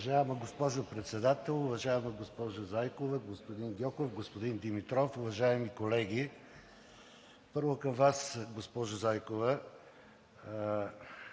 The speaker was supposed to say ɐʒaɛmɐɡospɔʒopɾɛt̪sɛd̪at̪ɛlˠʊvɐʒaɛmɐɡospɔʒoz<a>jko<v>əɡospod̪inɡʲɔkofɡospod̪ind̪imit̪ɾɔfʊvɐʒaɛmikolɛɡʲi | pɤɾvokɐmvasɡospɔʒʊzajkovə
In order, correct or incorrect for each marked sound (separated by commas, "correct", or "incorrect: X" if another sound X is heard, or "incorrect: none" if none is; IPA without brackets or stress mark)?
correct, correct